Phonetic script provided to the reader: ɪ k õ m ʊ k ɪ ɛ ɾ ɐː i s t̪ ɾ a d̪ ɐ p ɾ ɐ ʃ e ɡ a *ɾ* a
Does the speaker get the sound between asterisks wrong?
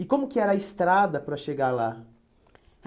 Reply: yes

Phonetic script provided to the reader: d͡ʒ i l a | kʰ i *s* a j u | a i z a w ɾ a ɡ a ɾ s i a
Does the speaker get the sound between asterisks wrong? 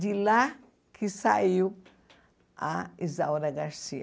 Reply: no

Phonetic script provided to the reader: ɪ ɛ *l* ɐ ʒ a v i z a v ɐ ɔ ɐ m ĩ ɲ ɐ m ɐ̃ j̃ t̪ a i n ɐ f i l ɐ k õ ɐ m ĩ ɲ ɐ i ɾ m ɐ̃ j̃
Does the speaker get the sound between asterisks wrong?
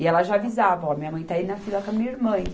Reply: no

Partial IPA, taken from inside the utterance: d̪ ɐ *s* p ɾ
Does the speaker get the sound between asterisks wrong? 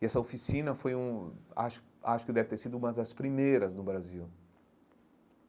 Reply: no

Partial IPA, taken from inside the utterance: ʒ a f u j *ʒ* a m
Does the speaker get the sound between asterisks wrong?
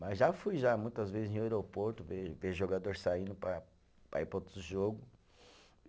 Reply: no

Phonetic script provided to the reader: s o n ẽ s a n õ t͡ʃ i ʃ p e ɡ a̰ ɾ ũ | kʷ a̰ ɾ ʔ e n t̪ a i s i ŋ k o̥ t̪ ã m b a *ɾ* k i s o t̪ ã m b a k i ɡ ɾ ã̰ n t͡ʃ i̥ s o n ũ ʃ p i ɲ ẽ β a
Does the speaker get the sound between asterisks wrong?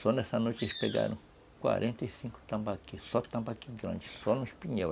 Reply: yes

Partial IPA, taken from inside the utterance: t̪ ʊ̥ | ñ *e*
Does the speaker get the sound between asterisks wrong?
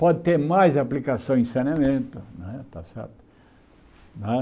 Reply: yes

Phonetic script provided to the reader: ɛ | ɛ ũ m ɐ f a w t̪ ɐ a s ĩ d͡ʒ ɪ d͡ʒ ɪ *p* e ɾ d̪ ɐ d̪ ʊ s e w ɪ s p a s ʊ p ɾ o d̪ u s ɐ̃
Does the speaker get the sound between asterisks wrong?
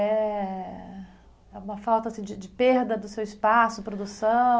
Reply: no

